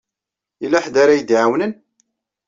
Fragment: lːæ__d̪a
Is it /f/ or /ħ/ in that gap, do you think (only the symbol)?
ħ